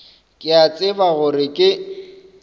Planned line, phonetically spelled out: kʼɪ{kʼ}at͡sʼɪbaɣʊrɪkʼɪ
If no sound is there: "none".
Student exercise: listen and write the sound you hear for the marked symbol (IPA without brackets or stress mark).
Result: none